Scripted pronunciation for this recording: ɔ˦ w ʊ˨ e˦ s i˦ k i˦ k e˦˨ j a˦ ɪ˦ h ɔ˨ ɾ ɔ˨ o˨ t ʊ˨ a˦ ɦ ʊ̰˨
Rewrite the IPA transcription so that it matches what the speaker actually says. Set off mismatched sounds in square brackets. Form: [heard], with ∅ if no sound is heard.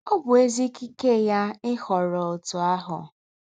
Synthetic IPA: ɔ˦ [b] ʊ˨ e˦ [z] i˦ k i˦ k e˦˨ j a˦ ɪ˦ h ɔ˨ ɾ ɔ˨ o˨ t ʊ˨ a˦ ɦ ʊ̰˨